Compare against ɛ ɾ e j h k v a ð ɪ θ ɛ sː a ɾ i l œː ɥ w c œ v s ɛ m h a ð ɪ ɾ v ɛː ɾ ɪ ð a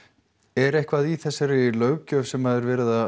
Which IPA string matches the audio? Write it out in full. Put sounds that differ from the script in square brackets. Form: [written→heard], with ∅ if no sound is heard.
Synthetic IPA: ɛ ɾ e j h k v a ð [ɪ→i] θ ɛ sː a ɾ [i→ɪ] l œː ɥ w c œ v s ɛ m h a ð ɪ ɾ v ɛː ɾ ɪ ð a

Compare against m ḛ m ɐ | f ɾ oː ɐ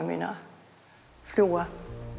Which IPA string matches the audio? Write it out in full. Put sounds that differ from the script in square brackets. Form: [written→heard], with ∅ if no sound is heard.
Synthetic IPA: m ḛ [m→n] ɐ | f [ɾ→l] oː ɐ

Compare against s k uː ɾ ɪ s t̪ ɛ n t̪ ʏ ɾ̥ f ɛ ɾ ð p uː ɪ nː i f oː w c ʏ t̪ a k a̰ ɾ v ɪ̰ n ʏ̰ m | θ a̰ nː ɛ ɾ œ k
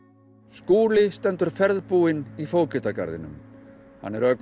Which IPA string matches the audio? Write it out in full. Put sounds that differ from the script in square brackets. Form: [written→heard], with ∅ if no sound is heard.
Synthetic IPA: s k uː [ɾ→l] ɪ s t̪ ɛ n t̪ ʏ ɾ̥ f ɛ ɾ ð p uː ɪ [nː→n] i f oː w c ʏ t̪ a k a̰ ɾ [v→ð] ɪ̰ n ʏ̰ m | [θ→h] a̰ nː ɛ ɾ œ k

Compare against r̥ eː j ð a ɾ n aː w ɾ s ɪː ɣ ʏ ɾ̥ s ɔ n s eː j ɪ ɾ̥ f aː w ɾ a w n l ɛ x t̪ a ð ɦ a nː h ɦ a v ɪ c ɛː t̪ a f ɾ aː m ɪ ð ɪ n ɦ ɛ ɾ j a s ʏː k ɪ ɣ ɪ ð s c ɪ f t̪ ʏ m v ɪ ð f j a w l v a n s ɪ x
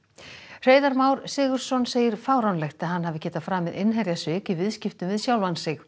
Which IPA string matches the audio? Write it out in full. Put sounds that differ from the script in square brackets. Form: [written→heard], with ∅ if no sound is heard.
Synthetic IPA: r̥ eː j ð a ɾ [n→m] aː w ɾ s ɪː ɣ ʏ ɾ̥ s ɔ n s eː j ɪ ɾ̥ f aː w ɾ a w n l ɛ x t̪ a ð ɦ a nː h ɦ a v ɪ c ɛː t̪ a f ɾ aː m ɪ ð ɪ n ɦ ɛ ɾ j a s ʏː k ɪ [ɣ→v] ɪ ð s c ɪ f t̪ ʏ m v ɪ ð [f→s] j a w l v a n s ɪ x

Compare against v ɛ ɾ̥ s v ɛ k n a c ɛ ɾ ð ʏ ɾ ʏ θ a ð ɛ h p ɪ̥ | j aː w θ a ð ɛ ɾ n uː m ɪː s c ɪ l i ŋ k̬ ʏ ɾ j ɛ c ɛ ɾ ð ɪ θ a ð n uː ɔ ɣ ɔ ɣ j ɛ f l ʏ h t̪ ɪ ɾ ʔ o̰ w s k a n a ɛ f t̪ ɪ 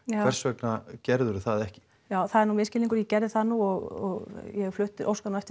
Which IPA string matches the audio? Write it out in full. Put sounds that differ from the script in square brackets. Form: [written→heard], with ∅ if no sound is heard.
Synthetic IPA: v ɛ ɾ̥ s v ɛ k n a c ɛ ɾ ð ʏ ɾ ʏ θ a ð ɛ h [p→c] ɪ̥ | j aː w θ a ð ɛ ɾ n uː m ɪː s c ɪ l i ŋ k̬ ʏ ɾ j ɛ c ɛ ɾ ð ɪ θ a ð n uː ɔ ɣ ɔ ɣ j ɛ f l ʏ h t̪ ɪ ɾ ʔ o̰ w s k a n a ɛ f t̪ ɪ

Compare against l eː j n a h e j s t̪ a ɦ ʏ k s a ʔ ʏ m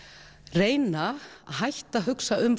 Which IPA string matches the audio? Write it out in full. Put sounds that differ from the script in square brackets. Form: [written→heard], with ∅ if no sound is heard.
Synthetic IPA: [l→r] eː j n a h [e→a] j [s→h] t̪ a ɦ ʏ k s a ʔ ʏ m

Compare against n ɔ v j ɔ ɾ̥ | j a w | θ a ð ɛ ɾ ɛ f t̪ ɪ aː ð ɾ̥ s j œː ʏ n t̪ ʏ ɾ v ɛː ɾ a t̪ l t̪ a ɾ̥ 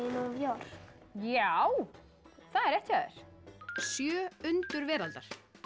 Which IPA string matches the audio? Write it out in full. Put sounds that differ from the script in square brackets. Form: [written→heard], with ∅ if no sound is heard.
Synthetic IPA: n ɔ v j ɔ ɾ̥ | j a w | θ a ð ɛ ɾ ɛ [f→h] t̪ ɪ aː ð ɾ̥ s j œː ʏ n t̪ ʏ ɾ v ɛː ɾ a [t̪→∅] l t̪ a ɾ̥

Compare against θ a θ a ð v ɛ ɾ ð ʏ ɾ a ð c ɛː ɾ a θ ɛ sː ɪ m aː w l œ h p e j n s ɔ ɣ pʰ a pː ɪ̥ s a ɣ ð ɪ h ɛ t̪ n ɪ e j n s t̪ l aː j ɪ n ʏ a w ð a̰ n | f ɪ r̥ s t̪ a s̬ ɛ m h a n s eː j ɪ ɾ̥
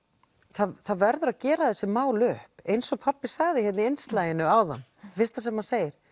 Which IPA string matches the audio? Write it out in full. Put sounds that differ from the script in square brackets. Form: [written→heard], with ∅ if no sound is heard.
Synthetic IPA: θ a θ a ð v ɛ ɾ ð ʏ ɾ a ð c ɛː ɾ a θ ɛ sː ɪ m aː w l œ h p e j n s ɔ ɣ pʰ a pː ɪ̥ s a ɣ ð ɪ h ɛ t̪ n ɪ e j n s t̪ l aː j ɪ n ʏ a w ð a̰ n | f ɪ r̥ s t̪ a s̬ ɛ m h a n s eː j ɪ ɾ̥

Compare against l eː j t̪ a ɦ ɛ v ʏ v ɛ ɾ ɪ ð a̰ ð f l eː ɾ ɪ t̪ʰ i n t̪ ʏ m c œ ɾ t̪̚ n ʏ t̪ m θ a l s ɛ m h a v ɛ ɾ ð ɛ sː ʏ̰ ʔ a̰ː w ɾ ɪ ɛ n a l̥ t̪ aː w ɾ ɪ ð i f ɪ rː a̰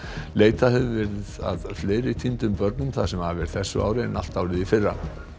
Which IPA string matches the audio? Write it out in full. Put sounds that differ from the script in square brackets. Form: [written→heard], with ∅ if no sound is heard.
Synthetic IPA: l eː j t̪ a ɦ ɛ v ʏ v ɛ ɾ ɪ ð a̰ ð f l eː ɾ ɪ t̪ʰ i n t̪ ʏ m [c→p] œ ɾ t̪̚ n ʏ [t̪→∅] m θ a [l→∅] s ɛ m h a v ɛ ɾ [ð→θ] ɛ sː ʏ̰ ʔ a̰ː w ɾ ɪ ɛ n a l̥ t̪ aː w ɾ ɪ ð i f ɪ rː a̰

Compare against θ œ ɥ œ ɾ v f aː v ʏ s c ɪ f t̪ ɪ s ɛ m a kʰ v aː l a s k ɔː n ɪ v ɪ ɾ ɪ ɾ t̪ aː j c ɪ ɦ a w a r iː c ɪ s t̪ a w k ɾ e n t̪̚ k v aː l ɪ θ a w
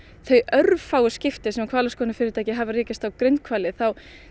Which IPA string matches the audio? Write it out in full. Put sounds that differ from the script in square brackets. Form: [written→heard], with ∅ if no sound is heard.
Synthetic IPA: θ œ ɥ œ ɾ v f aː [v→w] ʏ s c ɪ f t̪ ɪ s ɛ m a kʰ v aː l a s k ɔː n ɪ [v→f] ɪ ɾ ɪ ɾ t̪ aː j c ɪ ɦ a [w→v] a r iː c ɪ s t̪ a w k ɾ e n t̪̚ [k→kʰ] v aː l ɪ θ a w

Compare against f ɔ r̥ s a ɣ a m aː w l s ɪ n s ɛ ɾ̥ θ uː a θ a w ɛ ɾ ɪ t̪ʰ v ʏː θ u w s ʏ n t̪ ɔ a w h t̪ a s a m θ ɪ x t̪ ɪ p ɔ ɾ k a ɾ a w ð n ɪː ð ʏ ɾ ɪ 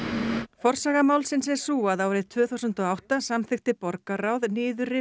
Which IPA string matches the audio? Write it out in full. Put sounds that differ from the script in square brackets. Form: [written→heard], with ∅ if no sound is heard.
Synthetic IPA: f ɔ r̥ s a ɣ a m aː w l s ɪ n s ɛ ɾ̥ [θ→s] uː a [θ→ð] a w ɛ ɾ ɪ t̪ʰ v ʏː θ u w s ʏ n t̪ ɔ a w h t̪ a s a m θ ɪ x t̪ ɪ p ɔ ɾ k a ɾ a w ð n ɪː ð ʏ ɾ ɪ

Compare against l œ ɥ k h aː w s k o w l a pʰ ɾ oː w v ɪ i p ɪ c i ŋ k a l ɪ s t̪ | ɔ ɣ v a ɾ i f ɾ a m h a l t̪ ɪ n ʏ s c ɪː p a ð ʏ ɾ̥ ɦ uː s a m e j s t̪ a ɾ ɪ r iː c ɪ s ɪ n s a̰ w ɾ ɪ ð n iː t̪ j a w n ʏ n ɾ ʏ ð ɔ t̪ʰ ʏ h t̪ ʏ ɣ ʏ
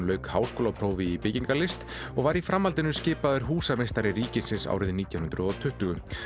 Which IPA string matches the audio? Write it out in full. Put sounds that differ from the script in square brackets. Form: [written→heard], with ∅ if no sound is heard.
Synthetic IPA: l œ ɥ k h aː w s k o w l a pʰ ɾ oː w v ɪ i p ɪ c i ŋ k a l ɪ s t̪ | ɔ ɣ v a ɾ i f ɾ a m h a l t̪ ɪ n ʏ s c ɪː p a ð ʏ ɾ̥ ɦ uː s a m e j s t̪ a ɾ ɪ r iː c ɪ s ɪ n s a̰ w ɾ ɪ ð n iː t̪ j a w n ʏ n ɾ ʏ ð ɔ t̪ʰ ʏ h t̪ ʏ ɣ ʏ

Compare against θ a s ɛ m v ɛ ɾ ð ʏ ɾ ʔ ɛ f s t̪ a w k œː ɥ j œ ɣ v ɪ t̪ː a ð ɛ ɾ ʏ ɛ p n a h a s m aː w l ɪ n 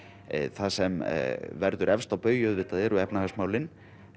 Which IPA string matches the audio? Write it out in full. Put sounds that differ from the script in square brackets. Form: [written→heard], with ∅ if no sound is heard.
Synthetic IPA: θ a s ɛ m v ɛ ɾ ð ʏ ɾ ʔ ɛ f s t̪ a w [k→p] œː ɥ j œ [ɣ→ð] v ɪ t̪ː a ð ɛ ɾ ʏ ɛ p n a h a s m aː w l ɪ n

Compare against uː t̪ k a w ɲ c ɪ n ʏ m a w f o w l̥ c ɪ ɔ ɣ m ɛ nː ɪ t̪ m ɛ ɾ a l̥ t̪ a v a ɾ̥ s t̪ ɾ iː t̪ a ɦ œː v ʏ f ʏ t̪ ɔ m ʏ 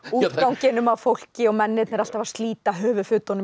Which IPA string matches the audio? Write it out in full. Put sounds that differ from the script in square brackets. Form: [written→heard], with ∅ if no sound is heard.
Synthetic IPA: uː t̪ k a w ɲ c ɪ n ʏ m a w f o w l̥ c ɪ ɔ ɣ m ɛ nː ɪ t̪ [m→n] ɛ ɾ a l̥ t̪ a v a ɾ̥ s t̪ [ɾ→l] iː t̪ a ɦ œː v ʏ f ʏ t̪ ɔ [m→n] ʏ

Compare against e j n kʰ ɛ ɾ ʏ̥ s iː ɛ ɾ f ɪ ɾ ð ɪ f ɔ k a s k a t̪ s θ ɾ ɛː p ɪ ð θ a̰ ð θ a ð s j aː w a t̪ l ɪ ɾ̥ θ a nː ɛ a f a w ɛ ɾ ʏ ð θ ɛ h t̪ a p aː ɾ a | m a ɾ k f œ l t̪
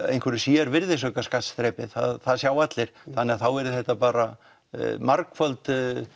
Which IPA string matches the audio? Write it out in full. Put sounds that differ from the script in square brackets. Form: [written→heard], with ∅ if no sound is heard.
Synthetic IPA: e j n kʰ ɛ ɾ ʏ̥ s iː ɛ ɾ [f→v] ɪ ɾ ð ɪ [f→s] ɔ k a s k a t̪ s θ ɾ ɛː p ɪ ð θ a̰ ð θ a ð s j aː w a t̪ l ɪ ɾ̥ θ a nː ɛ a [f→θ] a w ɛ ɾ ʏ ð θ ɛ h t̪ a p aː ɾ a | m a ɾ k f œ l t̪

